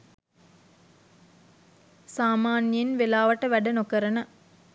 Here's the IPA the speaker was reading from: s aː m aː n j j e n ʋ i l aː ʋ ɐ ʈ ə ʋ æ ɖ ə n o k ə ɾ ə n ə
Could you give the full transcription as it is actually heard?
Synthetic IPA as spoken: s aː m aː n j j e n ʋ e l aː ʋ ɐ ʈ ə ʋ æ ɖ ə n o k ə ɾ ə n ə